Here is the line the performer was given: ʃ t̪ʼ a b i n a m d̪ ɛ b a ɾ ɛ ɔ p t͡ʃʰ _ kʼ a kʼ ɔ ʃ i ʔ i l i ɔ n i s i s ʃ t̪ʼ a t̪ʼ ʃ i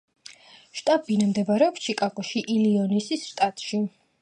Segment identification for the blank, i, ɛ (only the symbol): i